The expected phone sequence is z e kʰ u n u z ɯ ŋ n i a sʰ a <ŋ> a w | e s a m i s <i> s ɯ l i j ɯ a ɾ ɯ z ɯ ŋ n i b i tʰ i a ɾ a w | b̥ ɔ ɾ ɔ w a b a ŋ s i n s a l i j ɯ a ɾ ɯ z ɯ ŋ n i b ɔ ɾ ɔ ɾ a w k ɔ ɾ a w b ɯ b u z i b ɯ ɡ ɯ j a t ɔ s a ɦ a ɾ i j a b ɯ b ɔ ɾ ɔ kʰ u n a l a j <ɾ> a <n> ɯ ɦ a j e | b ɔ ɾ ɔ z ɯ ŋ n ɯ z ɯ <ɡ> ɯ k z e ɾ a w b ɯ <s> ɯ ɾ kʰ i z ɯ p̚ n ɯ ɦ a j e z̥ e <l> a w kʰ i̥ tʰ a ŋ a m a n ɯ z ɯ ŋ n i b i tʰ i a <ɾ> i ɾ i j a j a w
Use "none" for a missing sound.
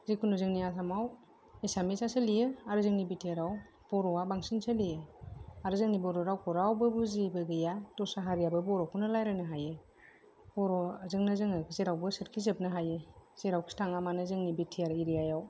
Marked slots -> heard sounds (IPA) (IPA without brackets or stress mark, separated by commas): m, a, ɾ, n, ŋ, s, ɾ, ɾ